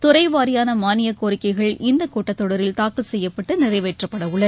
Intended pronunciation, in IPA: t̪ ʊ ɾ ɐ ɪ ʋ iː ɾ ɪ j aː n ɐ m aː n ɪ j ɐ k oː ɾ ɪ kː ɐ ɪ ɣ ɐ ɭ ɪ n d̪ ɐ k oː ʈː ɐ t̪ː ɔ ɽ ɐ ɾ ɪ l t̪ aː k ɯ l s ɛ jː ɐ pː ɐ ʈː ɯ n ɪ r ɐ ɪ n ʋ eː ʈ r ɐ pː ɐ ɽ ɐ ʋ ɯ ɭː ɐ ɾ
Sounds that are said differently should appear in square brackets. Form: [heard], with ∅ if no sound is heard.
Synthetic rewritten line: t̪ ʊ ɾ ɐ ɪ ʋ [aː] ɾ ɪ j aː n ɐ m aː n ɪ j ɐ k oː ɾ ɪ kː ɐ ɪ ɣ ɐ ɭ ɪ n d̪ ɐ k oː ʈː ɐ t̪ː ɔ ɽ ɐ ɾ ɪ l t̪ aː k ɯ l s ɛ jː ɐ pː ɐ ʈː ɯ n ɪ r ɐ ɪ [∅] ʋ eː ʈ r ɐ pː ɐ ɽ ɐ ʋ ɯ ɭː ɐ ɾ